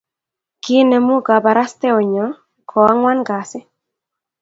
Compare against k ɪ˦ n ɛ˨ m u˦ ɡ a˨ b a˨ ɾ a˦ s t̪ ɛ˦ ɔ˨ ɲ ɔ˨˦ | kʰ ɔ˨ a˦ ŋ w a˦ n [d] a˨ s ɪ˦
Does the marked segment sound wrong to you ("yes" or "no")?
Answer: yes